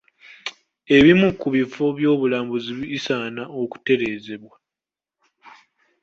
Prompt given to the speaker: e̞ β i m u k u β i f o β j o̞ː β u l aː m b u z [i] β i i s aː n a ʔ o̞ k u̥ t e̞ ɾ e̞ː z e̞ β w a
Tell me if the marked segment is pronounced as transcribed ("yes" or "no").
yes